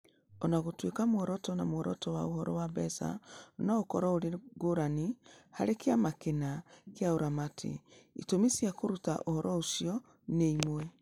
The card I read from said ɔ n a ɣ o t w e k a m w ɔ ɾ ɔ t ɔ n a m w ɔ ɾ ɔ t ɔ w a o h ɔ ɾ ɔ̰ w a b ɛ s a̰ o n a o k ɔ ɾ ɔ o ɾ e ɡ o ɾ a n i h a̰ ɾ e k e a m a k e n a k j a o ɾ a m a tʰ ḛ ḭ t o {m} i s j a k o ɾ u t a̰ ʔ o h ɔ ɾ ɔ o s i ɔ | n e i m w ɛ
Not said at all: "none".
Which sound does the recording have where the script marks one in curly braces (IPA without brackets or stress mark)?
m